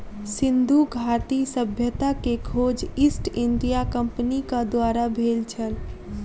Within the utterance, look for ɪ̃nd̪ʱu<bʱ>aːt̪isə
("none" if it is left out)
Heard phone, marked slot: ɡʱ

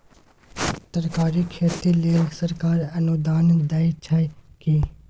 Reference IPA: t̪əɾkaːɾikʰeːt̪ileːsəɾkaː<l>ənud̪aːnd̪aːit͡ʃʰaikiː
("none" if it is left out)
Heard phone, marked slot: ɾ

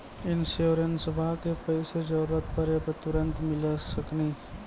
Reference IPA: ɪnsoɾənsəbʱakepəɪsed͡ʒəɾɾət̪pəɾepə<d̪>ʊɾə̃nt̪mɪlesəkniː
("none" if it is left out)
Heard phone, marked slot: t̪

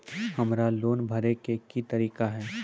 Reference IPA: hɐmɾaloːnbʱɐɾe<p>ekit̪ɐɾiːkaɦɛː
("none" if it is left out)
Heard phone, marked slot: k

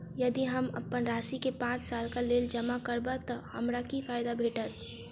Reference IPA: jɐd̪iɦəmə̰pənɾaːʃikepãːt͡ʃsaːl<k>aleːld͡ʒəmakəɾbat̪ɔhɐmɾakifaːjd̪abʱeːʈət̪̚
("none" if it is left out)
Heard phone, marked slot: k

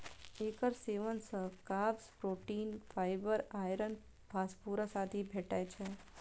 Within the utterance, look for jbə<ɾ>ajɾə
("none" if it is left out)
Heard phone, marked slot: ɾ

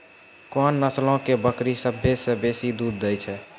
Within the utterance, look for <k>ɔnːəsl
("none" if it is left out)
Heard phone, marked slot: k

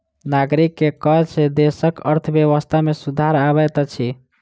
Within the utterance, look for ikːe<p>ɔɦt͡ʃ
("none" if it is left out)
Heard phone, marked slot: k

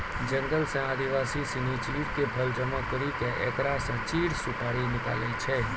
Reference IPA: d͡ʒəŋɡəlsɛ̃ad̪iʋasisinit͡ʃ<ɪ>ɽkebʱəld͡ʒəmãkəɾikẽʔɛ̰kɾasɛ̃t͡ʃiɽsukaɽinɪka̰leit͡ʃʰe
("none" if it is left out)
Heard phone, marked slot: i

